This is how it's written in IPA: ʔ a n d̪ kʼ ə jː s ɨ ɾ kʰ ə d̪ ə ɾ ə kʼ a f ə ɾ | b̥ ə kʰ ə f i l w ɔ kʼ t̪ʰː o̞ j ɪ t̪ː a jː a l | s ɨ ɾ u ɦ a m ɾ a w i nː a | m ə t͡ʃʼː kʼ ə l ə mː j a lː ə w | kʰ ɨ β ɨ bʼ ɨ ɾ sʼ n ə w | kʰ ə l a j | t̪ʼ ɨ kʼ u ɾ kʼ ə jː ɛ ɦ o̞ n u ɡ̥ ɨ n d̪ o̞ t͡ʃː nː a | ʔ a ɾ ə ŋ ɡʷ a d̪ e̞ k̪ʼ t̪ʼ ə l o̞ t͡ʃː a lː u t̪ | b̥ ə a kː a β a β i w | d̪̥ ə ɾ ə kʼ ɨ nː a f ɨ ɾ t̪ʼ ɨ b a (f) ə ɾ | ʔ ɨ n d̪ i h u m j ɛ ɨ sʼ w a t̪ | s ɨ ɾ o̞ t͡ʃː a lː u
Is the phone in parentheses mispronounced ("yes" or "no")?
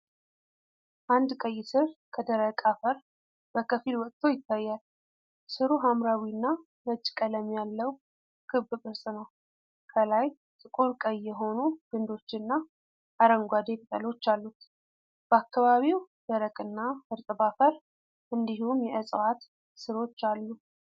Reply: no